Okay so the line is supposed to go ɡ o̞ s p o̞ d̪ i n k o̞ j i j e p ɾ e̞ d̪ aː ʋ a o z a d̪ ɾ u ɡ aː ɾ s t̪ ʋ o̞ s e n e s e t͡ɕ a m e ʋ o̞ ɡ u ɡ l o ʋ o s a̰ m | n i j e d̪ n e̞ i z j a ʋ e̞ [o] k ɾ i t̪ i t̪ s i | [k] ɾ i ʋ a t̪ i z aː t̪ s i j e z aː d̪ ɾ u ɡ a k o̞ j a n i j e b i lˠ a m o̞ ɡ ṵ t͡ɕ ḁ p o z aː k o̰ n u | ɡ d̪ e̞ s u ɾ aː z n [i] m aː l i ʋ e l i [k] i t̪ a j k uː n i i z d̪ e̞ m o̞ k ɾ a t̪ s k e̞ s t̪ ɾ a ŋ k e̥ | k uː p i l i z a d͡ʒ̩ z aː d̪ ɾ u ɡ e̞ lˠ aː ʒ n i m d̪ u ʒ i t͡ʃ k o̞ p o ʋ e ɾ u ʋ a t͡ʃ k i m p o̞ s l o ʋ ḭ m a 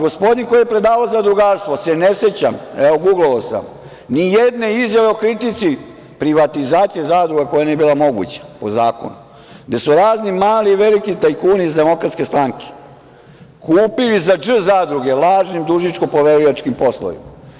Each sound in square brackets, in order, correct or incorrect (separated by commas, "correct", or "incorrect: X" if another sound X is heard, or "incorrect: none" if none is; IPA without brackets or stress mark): correct, incorrect: p, correct, correct